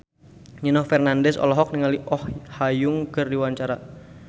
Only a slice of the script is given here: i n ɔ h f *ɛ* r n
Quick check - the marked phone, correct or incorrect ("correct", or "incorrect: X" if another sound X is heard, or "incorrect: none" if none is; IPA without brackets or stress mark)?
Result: correct